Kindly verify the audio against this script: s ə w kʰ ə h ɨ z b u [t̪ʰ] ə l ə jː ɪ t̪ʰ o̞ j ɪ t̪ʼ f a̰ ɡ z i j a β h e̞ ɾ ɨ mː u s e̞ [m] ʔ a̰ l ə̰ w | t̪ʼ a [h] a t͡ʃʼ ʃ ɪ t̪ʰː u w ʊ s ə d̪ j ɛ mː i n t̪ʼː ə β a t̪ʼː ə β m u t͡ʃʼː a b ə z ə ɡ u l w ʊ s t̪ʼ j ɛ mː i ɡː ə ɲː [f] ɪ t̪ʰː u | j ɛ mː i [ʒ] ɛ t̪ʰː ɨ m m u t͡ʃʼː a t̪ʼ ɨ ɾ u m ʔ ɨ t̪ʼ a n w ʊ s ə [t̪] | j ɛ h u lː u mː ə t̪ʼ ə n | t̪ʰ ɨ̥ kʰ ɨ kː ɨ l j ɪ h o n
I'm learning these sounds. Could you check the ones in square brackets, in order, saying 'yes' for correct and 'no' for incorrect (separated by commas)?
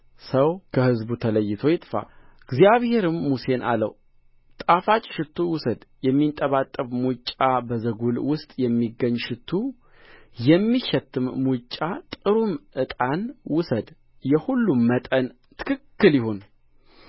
yes, no, no, no, no, no